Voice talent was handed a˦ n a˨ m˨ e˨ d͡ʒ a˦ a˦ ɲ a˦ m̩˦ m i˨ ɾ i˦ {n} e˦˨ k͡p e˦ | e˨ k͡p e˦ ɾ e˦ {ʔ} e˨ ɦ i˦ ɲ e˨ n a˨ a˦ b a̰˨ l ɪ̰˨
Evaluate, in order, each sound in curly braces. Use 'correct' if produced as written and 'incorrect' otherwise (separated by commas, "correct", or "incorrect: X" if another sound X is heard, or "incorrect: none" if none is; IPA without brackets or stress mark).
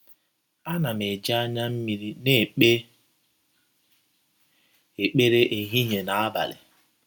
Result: correct, correct